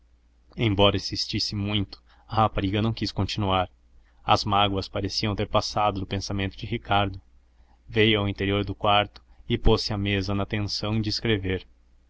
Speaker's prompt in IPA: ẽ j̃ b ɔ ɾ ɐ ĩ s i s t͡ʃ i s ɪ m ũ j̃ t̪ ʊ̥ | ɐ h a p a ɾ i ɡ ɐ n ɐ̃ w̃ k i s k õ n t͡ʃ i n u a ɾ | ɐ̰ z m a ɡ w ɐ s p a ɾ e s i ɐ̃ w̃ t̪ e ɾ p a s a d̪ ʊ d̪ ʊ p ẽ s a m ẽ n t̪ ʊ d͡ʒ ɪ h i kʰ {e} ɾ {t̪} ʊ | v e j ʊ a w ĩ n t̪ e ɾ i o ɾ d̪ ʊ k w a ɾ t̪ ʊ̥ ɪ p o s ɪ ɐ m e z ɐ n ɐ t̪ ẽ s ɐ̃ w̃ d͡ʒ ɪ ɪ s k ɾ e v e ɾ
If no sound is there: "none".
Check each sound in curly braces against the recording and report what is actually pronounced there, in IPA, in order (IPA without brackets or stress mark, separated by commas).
a, d̪